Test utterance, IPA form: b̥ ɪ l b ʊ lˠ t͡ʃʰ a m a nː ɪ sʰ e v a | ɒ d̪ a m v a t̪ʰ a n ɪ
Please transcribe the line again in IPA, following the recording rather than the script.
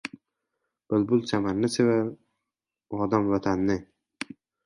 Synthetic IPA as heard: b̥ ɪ l b ʊ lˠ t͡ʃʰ a m a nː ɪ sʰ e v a | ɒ d̪ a m v a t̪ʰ a nː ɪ